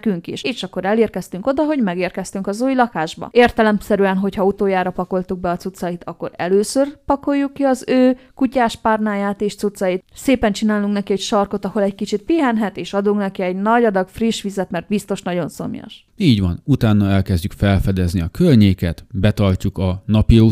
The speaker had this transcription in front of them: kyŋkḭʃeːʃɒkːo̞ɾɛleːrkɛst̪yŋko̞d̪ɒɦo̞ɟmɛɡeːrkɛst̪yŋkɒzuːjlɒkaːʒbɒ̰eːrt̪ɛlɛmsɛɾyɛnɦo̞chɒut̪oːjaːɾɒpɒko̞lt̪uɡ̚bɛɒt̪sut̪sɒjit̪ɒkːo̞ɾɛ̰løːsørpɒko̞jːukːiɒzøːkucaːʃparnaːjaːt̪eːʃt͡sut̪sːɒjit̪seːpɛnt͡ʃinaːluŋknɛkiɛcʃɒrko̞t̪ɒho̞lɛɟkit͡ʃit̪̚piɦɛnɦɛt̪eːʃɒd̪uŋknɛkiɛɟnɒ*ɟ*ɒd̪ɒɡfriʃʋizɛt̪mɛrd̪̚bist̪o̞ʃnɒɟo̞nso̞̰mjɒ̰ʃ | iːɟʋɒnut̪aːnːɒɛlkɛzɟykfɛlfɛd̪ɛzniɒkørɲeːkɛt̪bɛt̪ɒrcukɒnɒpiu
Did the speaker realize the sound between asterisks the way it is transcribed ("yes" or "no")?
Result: yes